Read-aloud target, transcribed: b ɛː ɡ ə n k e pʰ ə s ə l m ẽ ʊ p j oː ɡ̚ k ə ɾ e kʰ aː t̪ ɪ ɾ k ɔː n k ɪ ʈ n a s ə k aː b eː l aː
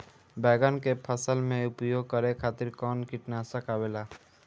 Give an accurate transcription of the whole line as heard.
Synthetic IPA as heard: b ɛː ɡ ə n k e pʰ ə s ə l m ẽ ʊ p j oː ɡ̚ k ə ɾ e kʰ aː t̪ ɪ ɾ k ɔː n k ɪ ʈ n a s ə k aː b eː l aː

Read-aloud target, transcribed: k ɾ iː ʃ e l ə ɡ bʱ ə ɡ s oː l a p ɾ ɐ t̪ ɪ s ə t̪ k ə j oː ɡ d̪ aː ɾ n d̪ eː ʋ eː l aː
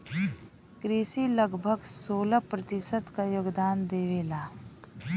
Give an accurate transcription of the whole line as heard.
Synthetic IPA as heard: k ɾ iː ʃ i l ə ɡ bʱ ə ɡ s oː l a p ɾ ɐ t̪ ɪ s ə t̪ k a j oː ɡ d̪ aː n d̪ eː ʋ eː l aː

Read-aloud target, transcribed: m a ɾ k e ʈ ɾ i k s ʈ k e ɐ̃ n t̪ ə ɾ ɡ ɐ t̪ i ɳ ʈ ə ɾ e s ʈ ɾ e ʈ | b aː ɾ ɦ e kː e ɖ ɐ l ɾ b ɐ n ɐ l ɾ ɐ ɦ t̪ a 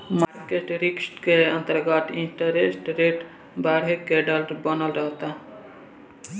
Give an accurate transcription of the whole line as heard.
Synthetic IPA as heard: m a ɾ k e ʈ ɾ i k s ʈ k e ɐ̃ n t̪ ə ɾ ɡ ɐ t̪ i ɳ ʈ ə ɾ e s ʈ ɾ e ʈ | b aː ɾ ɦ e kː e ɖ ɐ l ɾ b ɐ n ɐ l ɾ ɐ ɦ t̪ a

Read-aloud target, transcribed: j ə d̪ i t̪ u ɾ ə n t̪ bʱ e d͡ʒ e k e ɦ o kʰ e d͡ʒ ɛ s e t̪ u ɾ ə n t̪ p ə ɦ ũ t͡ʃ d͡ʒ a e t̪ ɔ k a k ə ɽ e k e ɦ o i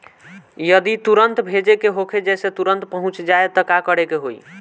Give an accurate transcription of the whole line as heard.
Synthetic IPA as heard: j ə d̪ i t̪ u ɾ ə n t̪ bʱ e d͡ʒ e k e ɦ o kʰ e d͡ʒ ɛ s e t̪ u ɾ ə n t̪ p ə ɦ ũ t͡ʃ d͡ʒ a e t̪ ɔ k a k ə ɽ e k e ɦ o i

